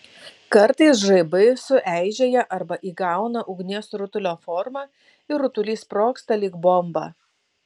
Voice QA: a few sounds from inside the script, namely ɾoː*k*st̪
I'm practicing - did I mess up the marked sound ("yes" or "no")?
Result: no